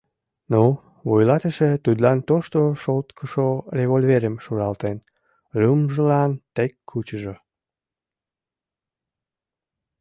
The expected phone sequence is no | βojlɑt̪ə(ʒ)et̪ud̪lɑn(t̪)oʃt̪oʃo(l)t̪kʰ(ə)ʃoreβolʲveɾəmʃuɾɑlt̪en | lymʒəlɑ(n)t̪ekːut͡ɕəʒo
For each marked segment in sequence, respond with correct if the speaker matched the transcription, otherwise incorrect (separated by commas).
incorrect, correct, correct, correct, correct